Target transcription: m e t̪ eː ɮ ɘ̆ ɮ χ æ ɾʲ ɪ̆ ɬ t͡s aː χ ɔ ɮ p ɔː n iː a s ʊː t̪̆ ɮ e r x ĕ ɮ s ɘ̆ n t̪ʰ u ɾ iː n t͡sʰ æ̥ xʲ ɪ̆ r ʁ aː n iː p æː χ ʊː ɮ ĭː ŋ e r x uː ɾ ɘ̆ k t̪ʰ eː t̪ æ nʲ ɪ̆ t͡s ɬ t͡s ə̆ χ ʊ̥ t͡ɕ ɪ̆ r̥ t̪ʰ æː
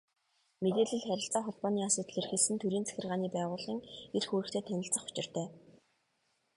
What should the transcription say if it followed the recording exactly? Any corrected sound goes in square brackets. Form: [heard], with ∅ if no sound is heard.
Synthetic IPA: m e t̪ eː ɮ ɘ̆ ɮ χ æ ɾʲ ɪ̆ ɬ t͡s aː χ ɔ ɮ p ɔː n iː a s ʊː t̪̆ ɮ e r x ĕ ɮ s ɘ̆ n t̪ʰ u ɾ iː n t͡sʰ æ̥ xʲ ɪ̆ r ʁ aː n iː p æː [ʁ] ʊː ɮ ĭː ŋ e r x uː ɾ ɘ̆ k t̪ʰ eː [t̪ʰ] æ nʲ ɪ̆ [∅] ɬ t͡s ə̆ χ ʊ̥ t͡ɕ ɪ̆ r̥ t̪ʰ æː